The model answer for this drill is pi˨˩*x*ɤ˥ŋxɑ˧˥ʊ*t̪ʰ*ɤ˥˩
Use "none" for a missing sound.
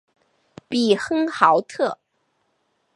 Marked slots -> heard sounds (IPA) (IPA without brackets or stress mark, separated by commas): x, t̪ʰ